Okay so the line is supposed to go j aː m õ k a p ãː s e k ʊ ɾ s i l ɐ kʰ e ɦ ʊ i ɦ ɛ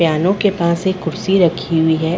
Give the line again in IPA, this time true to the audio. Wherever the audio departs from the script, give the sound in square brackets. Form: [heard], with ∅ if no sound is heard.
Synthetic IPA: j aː [n] õ k [e] p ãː s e k ʊ ɾ s i [ɾ] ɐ kʰ [i] ɦ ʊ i ɦ ɛ